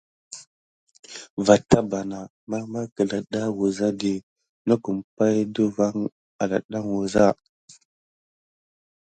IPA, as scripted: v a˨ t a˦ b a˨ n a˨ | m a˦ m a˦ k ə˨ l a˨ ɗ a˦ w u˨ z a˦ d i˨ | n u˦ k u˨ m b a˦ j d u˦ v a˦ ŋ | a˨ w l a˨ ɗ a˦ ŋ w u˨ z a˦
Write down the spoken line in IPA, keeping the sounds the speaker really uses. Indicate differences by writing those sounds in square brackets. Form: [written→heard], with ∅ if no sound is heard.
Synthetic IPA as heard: v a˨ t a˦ b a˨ n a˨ | m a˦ m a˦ k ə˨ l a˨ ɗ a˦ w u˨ z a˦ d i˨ | n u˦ k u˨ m [b→p] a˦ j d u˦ v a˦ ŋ | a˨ [w→∅] l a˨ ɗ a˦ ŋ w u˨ z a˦